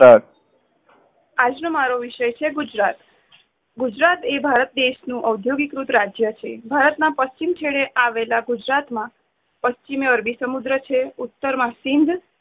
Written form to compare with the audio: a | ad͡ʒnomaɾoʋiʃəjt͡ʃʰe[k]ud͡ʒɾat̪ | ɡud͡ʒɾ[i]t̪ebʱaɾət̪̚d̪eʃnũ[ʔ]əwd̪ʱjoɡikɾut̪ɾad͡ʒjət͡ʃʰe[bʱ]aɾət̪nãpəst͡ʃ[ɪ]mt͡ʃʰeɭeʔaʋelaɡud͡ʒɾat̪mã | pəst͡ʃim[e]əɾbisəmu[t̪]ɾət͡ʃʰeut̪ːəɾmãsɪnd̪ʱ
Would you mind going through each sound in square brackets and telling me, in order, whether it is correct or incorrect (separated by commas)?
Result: incorrect, incorrect, correct, correct, incorrect, correct, incorrect